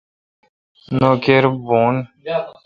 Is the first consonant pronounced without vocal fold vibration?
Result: no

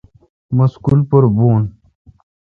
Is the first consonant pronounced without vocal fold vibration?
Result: no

